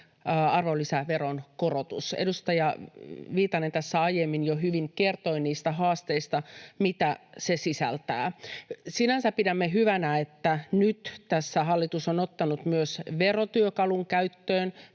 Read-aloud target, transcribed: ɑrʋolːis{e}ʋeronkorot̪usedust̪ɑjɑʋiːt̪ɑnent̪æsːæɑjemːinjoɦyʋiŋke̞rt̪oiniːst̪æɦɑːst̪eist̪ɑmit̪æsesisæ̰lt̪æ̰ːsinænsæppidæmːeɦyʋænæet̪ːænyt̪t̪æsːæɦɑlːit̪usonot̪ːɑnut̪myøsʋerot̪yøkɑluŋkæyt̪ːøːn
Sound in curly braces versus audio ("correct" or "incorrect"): incorrect